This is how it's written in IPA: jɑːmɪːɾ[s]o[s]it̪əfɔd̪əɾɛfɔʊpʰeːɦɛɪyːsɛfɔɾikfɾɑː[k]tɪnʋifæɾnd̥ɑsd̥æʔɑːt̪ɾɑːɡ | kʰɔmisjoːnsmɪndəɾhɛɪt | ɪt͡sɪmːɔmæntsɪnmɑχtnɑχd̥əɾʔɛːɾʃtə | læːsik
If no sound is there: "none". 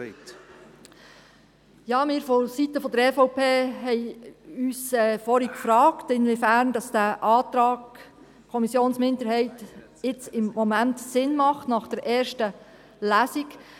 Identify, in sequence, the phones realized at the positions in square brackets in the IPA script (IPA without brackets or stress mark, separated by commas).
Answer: f, s, k